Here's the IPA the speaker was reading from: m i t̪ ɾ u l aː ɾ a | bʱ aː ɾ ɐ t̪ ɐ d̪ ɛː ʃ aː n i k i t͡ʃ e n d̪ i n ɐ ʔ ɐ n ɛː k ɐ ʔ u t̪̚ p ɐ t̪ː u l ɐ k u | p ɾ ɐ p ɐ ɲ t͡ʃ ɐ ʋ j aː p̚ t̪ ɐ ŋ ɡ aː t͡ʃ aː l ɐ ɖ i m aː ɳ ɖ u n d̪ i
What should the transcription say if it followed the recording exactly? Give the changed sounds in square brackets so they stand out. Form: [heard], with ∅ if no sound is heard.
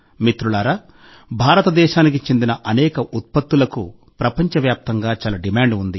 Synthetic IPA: m i t̪ ɾ u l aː ɾ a | bʱ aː ɾ ɐ t̪ ɐ d̪ ɛː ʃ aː n i k i t͡ʃ e n d̪ i n ɐ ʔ ɐ n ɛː k ɐ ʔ u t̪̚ p ɐ t̪ː u l ɐ k u | p ɾ ɐ p ɐ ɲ t͡ʃ ɐ ʋ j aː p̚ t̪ ɐ ŋ ɡ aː t͡ʃ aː l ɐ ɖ i m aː ɳ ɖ u n d̪ i